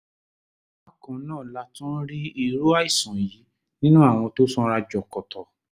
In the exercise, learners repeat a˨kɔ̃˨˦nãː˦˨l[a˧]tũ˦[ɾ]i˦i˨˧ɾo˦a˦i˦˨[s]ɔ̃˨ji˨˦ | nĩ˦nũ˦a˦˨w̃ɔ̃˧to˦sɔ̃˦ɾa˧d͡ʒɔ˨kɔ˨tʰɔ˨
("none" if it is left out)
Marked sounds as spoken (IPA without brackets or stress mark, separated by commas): a˧, ɾ, s